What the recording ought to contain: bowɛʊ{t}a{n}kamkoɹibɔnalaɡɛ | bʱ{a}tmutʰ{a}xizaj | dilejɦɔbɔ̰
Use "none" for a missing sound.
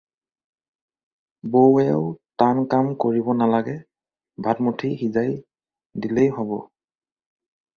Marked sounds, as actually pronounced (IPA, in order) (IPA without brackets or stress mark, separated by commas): t, n, a, i